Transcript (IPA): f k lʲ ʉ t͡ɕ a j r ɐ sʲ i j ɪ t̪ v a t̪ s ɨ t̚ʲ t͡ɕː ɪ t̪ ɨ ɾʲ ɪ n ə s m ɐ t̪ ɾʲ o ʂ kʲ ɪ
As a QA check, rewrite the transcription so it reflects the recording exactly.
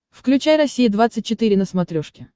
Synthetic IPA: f k lʲ ʉ t͡ɕ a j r ɐ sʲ i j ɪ d̪ v a t̪ s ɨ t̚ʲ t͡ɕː ɪ t̪ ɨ ɾʲ ɪ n ə s m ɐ t̪ ɾʲ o ʂ kʲ ɪ

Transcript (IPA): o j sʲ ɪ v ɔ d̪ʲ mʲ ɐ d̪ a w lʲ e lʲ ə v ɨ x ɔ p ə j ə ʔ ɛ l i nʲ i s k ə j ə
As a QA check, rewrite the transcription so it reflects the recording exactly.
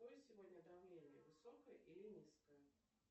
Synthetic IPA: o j sʲ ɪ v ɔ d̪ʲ nʲ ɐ d̪ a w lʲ e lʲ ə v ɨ s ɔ k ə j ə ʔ i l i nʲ i s k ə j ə

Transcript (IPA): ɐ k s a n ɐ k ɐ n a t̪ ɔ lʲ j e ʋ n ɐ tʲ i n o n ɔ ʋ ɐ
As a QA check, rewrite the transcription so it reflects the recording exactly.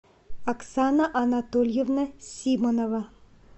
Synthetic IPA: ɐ k s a n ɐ ʔ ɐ n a t̪ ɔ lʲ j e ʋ n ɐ sʲ i m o n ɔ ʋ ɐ

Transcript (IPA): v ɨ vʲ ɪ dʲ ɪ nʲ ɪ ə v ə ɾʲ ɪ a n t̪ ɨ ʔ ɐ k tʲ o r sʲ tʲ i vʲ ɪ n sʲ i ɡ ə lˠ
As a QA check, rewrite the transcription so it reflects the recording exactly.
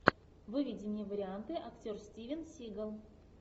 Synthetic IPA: v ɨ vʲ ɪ dʲ ɪ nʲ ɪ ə v ə ɾʲ ɪ a n t̪ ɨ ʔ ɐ k tʲ o r sʲ tʲ i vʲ ɪ n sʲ i ɡ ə lˠ

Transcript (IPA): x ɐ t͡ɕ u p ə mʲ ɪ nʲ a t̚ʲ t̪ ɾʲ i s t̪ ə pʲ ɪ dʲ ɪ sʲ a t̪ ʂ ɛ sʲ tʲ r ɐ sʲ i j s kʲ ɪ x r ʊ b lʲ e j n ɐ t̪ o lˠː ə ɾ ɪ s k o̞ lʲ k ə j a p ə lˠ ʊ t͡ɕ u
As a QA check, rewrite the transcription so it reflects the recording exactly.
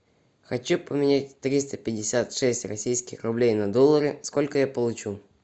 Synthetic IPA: x ɐ t͡ɕ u p ə mʲ ɪ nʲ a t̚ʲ t̪ ɾʲ i s t̪ ə pʲ ɪ dʲ ɪ sʲ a t̪ ʂ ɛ sʲ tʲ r ɐ sʲ i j s kʲ ɪ x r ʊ b lʲ e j n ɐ d̪ o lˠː ə ɾ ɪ s k o̞ lʲ k ə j a p ə lˠ ʊ t͡ɕ u

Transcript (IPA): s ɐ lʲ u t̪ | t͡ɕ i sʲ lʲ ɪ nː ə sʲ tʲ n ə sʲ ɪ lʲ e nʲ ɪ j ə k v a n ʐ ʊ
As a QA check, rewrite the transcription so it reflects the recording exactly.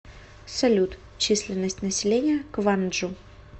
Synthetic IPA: s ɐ lʲ u t̪ | t͡ɕ i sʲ lʲ ɪ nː ə sʲ tʲ n ə sʲ ɪ lʲ e nʲ ɪ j ə k v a n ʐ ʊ

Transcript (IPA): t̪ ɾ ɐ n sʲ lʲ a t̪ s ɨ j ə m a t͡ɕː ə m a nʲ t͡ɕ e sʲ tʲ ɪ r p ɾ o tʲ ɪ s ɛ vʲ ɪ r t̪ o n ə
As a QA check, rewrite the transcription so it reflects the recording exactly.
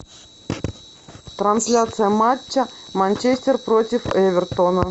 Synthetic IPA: t̪ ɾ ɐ n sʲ lʲ a t̪ s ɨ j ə m a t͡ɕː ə m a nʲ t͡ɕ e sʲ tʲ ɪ r p ɾ o tʲ ɪ f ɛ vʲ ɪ r t̪ o n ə

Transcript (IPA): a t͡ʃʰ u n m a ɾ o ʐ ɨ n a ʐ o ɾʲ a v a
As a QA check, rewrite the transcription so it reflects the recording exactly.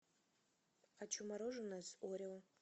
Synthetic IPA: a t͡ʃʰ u m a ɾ o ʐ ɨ n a z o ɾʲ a w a

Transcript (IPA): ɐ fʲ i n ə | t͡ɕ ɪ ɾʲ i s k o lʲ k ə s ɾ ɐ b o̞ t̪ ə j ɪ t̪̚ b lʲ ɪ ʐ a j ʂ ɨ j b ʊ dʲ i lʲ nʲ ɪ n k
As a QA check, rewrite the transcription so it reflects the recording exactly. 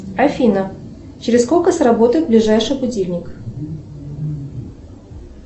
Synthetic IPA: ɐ fʲ i n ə | t͡ɕ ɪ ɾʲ ɪ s k o lʲ k ə s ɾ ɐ b o̞ t̪ ə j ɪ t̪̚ b lʲ ɪ ʐ a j ʂ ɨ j b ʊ dʲ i lʲ nʲ ɪ k

